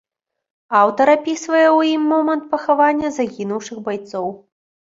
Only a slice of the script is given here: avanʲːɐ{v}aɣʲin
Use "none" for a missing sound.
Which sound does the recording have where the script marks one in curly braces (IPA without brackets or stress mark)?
z